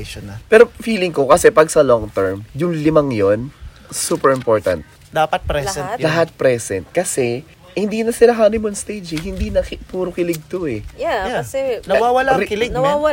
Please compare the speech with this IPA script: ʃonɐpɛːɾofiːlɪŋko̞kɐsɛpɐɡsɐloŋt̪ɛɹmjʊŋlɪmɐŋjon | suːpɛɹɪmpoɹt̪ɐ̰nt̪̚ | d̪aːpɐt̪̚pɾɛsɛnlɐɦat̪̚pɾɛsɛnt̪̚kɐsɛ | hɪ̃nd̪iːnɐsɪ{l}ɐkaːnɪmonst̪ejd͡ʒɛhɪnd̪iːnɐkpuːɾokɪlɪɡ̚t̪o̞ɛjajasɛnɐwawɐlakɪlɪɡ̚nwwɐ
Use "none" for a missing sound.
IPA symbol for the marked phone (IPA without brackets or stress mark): l